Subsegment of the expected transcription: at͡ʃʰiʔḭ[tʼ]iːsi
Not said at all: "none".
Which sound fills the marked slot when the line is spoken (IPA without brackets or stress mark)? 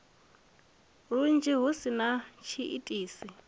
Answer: tʼ